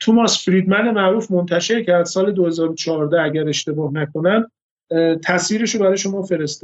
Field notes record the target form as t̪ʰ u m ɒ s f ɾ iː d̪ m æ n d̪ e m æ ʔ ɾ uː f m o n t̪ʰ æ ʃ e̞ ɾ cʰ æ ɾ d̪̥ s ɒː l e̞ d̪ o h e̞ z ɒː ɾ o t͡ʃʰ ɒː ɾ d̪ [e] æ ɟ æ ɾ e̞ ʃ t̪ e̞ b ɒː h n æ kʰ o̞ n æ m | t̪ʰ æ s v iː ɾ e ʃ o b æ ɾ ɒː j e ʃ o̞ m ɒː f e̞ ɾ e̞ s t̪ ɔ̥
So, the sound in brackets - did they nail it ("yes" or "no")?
no